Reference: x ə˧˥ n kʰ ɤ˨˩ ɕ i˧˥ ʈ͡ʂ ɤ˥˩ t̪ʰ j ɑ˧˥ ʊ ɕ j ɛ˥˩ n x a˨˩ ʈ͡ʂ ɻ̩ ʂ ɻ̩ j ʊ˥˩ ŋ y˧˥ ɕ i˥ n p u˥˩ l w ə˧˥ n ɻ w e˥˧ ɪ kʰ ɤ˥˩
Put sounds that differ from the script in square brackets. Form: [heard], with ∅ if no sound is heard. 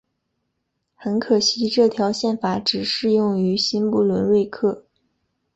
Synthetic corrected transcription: x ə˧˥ n kʰ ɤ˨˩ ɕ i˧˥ ʈ͡ʂ ɤ˥˩ t̪ʰ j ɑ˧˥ ʊ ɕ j ɛ˥˩ n [f] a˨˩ ʈ͡ʂ ɻ̩ ʂ ɻ̩ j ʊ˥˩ ŋ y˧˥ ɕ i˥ n p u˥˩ l w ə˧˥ n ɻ w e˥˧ ɪ kʰ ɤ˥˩